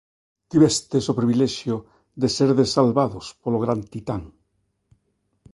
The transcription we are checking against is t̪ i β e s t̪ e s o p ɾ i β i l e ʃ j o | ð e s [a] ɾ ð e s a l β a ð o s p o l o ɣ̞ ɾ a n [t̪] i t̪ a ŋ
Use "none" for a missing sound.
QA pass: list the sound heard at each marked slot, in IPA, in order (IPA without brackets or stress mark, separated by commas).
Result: e, t̪